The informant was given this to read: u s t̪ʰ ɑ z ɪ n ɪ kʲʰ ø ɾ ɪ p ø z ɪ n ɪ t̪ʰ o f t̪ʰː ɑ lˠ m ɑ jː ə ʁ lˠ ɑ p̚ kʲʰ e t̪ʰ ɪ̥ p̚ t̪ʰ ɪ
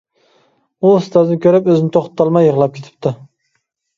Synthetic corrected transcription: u s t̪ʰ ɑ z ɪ n ɪ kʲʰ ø ɾ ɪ p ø z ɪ n ɪ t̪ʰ o χ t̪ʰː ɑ lˠ m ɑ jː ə ʁ lˠ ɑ p̚ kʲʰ e t̪ʰ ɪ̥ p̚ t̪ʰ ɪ

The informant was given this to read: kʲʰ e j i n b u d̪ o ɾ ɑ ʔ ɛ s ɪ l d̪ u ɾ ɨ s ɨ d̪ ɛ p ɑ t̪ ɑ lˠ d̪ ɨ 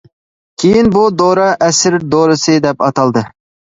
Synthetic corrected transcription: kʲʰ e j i n b u d̪ o ɾ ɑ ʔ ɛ s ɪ ɾ d̪ o ɾ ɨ s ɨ d̪ ɛ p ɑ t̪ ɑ lˠ d̪ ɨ

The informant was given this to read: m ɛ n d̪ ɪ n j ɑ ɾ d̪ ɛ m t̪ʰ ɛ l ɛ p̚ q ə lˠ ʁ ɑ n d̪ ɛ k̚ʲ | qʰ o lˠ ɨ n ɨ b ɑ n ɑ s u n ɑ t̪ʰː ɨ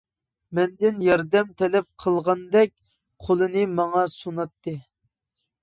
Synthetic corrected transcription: m ɛ n d̪ ɪ n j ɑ ɾ d̪ ɛ m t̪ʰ ɛ l ɛ p̚ qʰ ə lˠ ʁ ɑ n d̪ ɛ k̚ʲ | qʰ o lˠ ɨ n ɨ m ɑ ŋ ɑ s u n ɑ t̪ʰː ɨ

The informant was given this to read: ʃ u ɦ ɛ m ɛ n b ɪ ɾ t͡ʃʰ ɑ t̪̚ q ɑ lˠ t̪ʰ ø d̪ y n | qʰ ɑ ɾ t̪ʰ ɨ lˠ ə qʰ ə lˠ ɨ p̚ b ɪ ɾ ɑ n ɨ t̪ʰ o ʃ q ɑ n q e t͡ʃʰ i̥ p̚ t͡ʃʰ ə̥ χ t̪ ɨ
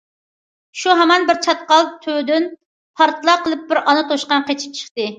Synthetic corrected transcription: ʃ u ɦ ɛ m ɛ n b ɪ ɾ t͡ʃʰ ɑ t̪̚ q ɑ lˠ t̪ʰ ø d̪ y n | pʰ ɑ ɾ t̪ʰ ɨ lˠ ɑ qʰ ə lˠ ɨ p̚ b ɪ ɾ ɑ n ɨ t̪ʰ o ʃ q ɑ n q e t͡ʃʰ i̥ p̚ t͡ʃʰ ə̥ χ t̪ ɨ

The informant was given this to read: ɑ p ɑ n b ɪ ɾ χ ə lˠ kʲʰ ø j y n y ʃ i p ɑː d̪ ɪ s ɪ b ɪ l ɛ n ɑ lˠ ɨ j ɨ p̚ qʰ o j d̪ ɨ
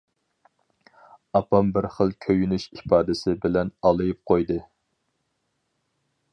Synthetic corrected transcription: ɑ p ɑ m b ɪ ɾ χ ə lˠ kʲʰ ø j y n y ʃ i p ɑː d̪ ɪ s ɪ b ɪ l ɛ n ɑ lˠ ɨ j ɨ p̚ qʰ o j d̪ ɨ

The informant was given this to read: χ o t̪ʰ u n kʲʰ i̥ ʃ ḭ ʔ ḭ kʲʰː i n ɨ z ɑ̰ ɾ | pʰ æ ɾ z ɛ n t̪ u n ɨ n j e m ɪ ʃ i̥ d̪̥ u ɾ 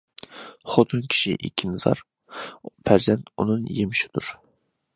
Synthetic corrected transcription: χ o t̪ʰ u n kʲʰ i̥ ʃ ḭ ʔ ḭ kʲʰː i n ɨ z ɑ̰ ɾ | pʰ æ ɾ z ɛ n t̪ u n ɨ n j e m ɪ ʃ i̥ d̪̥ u ɾ

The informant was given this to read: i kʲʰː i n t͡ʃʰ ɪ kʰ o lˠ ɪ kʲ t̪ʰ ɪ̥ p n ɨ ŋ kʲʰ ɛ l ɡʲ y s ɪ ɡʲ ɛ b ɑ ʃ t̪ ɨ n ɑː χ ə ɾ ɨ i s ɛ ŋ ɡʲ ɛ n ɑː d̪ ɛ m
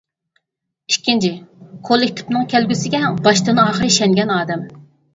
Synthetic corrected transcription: i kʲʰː i n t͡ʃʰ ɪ kʰ o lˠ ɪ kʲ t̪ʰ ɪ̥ p n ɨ ŋ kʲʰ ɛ l ɡʲ y s ɪ ɡʲ ɛ b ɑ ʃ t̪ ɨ n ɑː χ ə ɾ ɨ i ʃ ɛ ŋ ɡʲ ɛ n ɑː d̪ ɛ m

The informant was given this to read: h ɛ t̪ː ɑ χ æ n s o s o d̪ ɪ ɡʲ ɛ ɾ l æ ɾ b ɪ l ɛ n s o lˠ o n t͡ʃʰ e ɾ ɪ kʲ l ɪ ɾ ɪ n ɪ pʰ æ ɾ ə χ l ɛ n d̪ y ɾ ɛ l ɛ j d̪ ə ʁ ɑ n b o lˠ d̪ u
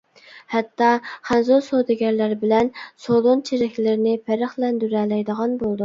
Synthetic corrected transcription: h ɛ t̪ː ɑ χ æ n z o s o d̪ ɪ ɡʲ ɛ ɾ l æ ɾ b ɪ l ɛ n s o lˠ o n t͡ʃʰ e ɾ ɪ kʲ l ɪ ɾ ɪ n ɪ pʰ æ ɾ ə χ l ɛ n d̪ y ɾ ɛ l ɛ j d̪ ə ʁ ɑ n b o lˠ d̪ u

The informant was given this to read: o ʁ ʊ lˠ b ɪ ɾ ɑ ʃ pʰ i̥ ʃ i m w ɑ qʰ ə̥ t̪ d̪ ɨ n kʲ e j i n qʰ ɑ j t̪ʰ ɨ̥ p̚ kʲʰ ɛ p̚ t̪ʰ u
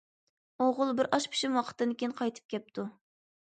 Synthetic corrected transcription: o ʁ ʊ lˠ b ɪ ɾ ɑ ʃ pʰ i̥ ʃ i m w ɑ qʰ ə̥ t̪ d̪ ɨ n kʲ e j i n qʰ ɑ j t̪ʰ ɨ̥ p̚ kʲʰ ɛ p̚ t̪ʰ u

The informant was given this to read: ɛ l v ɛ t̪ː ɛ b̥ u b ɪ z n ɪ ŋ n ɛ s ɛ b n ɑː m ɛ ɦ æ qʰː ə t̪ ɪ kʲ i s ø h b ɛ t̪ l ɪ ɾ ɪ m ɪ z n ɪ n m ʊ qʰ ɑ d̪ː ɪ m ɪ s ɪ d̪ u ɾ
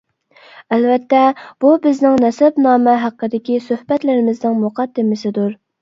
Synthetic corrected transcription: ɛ l v ɛ t̪ː ɛ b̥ u b ɪ z n ɪ ŋ n ɛ s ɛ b n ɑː m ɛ ɦ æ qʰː ə d̪ ɪ kʲ i s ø h b ɛ t̪ l ɪ ɾ ɪ m ɪ z n ɪ ŋ m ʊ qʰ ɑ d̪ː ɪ m ɪ s ɪ d̪ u ɾ

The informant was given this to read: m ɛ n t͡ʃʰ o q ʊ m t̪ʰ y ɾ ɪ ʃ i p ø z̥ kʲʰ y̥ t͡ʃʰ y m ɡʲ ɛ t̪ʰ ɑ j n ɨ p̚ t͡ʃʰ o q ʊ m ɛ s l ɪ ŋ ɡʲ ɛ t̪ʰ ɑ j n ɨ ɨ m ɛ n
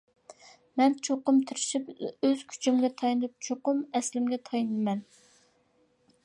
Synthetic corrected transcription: m ɛ n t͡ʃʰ o q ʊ m t̪ʰ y ɾ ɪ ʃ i p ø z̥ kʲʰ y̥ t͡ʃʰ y m ɡʲ ɛ t̪ʰ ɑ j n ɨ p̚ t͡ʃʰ o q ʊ m ɛ s l ɪ m ɡʲ ɛ t̪ʰ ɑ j n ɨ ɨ m ɛ n

